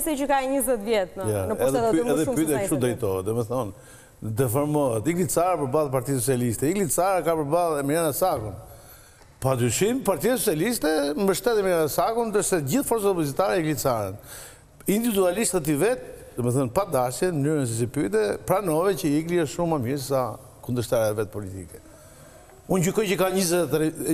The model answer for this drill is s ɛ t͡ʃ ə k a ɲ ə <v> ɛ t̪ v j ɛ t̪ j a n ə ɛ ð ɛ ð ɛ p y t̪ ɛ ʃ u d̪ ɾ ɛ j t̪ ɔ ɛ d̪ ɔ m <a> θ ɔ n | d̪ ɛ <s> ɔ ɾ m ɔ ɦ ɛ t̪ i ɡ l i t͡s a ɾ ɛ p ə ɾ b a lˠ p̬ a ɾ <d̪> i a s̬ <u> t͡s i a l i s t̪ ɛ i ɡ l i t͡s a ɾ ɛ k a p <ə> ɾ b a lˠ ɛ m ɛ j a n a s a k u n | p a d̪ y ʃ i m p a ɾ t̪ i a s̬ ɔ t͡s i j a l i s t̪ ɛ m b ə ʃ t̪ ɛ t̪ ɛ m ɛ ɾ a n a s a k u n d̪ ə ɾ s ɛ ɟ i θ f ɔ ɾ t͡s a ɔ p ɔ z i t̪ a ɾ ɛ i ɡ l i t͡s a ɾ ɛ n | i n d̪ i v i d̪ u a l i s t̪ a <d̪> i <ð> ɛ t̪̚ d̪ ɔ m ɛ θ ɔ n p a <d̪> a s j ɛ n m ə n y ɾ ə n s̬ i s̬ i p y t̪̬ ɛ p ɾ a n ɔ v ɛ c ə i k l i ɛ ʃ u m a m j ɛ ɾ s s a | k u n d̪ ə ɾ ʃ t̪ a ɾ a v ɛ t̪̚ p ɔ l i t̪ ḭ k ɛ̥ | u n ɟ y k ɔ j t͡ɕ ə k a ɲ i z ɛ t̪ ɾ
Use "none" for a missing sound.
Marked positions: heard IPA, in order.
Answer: z, ɛ, f, t̪, ɔ, ə, t̪, v, d̪

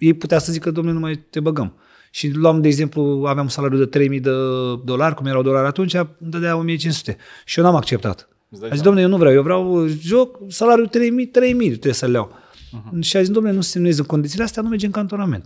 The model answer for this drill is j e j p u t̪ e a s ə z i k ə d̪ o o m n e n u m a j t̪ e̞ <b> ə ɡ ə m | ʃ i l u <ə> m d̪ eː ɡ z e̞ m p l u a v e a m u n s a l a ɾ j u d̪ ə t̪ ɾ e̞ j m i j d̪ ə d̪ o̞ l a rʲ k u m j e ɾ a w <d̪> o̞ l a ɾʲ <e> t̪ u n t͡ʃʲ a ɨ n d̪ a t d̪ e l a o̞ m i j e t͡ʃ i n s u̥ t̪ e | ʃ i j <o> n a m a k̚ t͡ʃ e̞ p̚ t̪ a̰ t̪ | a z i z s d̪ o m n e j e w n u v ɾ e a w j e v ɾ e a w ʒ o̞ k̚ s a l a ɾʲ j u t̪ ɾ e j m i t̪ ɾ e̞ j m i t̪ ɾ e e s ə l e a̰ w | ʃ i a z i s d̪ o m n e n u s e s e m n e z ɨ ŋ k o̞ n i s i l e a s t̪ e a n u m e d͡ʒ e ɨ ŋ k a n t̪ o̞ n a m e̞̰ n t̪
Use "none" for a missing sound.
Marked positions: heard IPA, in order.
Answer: b, a, d̪, a, o

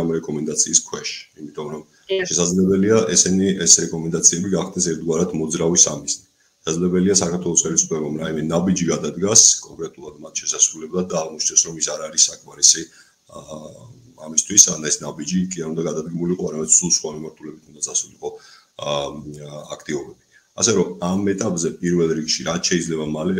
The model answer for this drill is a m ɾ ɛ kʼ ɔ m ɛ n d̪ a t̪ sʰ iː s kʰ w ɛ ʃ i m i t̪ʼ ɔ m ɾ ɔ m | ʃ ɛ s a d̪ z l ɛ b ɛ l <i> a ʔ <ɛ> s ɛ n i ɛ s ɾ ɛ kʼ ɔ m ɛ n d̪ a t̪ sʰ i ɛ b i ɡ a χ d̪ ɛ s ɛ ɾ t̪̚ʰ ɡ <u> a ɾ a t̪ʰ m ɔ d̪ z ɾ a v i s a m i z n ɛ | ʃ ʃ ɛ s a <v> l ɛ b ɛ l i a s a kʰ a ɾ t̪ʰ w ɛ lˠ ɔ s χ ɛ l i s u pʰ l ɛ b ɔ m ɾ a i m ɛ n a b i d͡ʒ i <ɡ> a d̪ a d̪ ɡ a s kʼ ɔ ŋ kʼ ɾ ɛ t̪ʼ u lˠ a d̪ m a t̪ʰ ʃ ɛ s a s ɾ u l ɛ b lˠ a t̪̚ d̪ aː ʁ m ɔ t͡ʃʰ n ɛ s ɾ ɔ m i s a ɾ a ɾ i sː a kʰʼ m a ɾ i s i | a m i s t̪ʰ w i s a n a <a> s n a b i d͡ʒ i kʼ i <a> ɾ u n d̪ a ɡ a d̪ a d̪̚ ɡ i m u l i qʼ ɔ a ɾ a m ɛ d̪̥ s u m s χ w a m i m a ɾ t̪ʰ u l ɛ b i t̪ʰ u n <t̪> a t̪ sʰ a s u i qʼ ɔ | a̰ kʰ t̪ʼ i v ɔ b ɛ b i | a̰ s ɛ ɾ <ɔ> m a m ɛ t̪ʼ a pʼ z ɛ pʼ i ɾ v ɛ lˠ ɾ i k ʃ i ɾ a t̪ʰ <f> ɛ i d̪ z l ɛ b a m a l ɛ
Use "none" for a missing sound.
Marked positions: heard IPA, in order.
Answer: i, ɛ, w, z, ɡ, ɛ, a, d̪, ɔ, ʃ

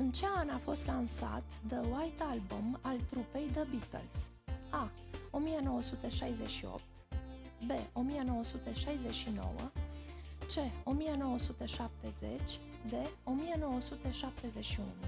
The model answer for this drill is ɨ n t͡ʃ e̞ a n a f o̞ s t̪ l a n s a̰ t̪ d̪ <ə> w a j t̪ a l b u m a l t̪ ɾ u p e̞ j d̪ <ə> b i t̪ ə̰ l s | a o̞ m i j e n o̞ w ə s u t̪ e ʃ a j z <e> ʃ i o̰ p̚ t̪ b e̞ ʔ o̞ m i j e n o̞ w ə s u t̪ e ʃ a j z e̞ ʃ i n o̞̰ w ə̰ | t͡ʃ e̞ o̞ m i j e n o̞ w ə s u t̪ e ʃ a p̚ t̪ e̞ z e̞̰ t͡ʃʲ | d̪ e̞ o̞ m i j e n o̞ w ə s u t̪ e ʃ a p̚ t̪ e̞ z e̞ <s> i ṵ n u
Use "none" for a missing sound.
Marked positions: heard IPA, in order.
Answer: ə, ə, e, ʃ

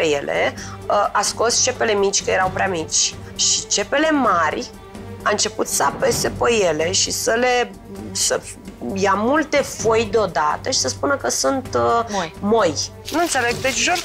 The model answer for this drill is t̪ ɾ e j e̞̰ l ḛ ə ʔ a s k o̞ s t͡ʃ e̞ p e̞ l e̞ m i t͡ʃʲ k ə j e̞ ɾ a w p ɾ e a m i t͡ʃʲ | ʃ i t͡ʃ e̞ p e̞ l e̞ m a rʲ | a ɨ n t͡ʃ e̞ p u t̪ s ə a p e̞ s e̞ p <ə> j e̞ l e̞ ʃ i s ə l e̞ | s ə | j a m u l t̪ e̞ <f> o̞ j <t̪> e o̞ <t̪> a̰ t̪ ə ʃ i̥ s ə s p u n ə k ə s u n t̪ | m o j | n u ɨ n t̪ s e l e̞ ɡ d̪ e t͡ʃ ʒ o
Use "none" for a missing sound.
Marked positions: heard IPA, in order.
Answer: ə, f, d̪, d̪

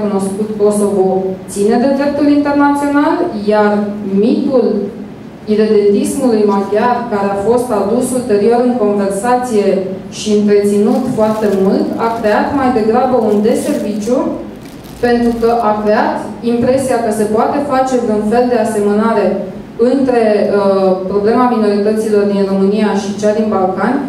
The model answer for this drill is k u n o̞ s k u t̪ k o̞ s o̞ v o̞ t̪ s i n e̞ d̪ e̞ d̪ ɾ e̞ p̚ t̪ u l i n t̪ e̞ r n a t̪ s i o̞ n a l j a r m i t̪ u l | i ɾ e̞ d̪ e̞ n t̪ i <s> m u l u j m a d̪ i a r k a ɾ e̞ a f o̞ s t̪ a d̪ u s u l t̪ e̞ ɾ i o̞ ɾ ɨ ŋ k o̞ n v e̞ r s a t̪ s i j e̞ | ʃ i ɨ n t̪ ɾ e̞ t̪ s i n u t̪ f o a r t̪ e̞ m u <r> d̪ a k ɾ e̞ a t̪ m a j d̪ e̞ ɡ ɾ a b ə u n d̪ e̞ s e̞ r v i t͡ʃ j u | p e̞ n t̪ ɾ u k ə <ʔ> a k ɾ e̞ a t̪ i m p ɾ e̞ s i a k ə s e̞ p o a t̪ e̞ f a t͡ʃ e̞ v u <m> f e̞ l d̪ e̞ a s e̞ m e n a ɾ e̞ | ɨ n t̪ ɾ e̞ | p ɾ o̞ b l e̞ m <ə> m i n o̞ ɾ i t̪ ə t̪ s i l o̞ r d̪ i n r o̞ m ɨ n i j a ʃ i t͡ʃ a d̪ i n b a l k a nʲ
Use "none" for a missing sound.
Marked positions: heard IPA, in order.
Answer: s, l, ʔ, n, a

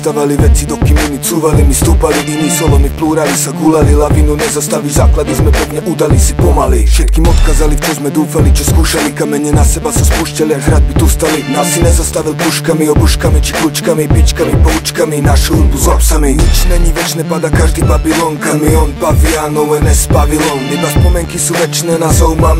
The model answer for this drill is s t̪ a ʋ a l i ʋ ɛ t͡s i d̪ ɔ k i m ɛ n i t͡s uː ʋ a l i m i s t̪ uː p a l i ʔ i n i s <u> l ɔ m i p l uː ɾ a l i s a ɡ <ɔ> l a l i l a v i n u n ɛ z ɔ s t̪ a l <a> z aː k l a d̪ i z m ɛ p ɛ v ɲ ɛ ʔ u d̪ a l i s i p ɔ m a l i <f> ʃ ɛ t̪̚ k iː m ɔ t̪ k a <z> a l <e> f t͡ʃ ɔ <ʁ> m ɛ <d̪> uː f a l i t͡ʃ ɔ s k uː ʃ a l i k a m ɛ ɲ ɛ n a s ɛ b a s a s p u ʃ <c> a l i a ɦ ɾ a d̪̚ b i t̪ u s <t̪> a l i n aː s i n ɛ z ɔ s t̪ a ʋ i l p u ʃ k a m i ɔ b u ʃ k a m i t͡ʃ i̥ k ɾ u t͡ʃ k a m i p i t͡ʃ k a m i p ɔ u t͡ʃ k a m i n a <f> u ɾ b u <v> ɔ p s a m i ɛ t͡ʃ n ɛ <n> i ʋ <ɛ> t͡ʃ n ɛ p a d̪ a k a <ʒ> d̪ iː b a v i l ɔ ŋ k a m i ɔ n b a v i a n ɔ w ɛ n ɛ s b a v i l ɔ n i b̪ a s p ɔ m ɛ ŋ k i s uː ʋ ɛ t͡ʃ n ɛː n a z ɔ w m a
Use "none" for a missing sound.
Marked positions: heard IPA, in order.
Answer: ɔ, u, i, f, z, i, z, d̪, c, t̪, ʃ, z, ɲ, ɛ, ʒ

